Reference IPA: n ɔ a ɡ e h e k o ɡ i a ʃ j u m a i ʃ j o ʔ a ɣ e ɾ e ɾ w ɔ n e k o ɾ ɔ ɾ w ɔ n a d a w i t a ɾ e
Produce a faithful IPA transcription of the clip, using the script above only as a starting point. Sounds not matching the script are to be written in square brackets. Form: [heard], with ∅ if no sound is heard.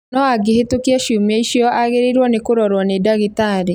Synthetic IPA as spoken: n ɔ a ɡ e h e [t] o [k] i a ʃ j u m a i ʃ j [ɔ] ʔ a ɣ e ɾ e ɾ w ɔ n e k o ɾ ɔ ɾ w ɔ n [e] d a [ɣ] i t a ɾ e